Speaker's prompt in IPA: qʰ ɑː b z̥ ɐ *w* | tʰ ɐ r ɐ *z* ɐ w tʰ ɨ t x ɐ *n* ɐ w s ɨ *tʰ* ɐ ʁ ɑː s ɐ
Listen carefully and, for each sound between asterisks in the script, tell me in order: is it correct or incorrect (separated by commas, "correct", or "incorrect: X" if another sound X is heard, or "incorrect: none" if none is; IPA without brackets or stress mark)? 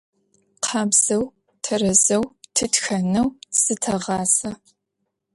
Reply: correct, correct, correct, correct